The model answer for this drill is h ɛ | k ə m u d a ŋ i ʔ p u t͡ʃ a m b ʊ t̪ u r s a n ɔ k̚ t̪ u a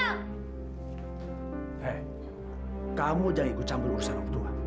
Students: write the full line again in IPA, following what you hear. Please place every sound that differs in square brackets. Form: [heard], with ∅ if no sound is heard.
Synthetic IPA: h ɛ | k [a] m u [d͡ʒ] a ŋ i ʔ [k] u t͡ʃ a m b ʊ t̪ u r s a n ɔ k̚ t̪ u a